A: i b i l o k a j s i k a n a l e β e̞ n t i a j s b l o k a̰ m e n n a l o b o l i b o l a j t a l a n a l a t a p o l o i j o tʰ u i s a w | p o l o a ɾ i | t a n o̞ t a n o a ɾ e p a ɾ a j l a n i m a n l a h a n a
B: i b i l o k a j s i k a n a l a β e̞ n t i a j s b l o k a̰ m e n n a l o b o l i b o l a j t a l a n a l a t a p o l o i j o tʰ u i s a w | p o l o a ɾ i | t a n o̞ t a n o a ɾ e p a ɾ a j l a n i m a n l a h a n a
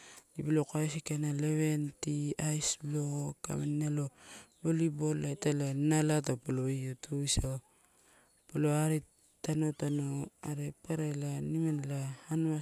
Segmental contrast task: A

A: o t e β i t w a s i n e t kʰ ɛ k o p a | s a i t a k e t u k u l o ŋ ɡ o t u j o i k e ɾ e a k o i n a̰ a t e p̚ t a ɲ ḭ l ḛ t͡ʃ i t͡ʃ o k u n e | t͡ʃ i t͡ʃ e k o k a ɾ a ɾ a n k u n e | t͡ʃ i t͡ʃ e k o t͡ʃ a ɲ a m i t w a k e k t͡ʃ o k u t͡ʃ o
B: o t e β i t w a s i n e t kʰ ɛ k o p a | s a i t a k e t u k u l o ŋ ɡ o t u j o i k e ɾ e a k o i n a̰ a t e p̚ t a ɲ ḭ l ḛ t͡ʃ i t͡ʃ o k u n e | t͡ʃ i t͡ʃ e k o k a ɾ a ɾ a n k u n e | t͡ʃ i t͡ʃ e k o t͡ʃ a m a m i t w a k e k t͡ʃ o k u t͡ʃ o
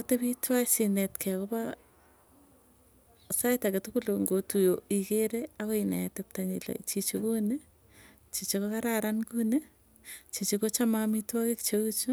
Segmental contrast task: B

